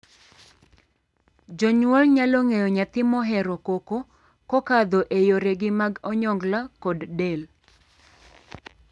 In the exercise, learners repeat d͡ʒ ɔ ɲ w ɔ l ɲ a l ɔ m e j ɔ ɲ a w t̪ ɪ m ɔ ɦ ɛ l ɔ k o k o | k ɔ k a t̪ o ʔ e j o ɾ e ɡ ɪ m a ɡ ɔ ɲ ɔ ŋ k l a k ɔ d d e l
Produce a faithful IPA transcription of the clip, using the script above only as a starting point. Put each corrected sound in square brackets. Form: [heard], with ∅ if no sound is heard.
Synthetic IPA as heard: d͡ʒ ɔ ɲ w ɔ l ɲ a l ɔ [ŋ] e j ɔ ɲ a [∅] t̪ ɪ m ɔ ɦ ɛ [ɾ] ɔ k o k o | k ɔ k a [d̪] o ʔ e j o ɾ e ɡ ɪ m a ɡ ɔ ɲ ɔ ŋ [ɡ] l a k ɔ d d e l